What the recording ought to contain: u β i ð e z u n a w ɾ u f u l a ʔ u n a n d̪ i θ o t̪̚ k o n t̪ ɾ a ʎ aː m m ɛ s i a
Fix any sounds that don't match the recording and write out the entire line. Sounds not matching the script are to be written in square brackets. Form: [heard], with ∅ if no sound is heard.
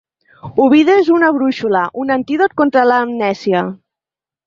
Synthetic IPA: u β i ð e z u n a [β] ɾ u [ʃ] u l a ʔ u n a n [t̪] i [ð] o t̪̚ k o n t̪ ɾ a [l] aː m [n] ɛ s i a